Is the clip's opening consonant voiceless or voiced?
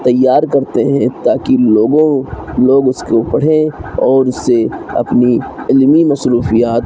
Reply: voiceless